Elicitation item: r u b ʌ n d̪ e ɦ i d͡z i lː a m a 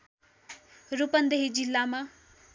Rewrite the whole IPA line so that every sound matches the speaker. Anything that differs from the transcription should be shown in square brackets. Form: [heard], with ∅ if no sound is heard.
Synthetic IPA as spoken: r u [p] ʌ n d̪ e ɦ i d͡z i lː a m a